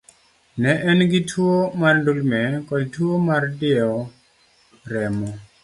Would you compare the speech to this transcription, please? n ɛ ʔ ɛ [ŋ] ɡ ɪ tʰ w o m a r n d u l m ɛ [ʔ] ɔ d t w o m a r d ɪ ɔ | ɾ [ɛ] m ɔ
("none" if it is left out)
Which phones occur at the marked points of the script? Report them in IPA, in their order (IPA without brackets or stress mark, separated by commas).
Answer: n, k, ɛ